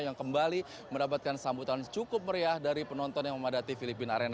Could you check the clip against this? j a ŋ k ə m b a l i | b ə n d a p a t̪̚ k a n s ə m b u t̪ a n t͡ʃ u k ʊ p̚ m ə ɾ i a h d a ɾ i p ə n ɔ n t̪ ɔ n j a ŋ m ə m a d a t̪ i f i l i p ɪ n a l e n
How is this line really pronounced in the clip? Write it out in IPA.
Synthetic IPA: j a ŋ k ə m b a l i | m ə n d a p a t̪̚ k a n s a m b u t̪ a n t͡ʃ u k ʊ p̚ m ə ɾ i a h d a ɾ i p ə n ɔ n t̪ ɔ n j a ŋ m ə m a d a t̪ i f i l i p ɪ n a ɾ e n